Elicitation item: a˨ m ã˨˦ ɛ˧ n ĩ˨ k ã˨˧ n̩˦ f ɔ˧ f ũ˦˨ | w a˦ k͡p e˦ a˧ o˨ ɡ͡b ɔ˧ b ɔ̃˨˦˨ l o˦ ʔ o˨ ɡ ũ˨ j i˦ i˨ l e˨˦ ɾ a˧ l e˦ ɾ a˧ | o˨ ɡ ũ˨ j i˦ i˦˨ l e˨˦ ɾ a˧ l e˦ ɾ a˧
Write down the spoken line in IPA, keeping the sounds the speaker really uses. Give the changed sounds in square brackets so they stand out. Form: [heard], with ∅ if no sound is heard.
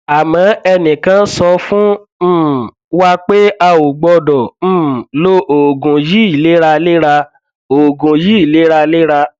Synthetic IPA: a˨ m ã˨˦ ɛ˧ n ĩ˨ k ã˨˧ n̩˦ [s] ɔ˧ f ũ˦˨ | w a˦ k͡p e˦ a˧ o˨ ɡ͡b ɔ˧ [d] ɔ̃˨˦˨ l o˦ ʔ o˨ ɡ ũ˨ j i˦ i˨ l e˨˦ ɾ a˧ l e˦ ɾ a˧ | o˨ ɡ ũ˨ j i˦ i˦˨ l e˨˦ ɾ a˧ l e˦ ɾ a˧